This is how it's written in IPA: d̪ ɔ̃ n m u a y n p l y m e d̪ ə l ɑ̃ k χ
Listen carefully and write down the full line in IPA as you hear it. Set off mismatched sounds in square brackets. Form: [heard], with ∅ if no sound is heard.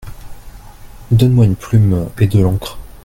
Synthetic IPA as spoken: d̪ [ɔ] n m [w] a y n p l y m e d̪ ə l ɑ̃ k χ